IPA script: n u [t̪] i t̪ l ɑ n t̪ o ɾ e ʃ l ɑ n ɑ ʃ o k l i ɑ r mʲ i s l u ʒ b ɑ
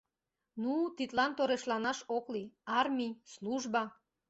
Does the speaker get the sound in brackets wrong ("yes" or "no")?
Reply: no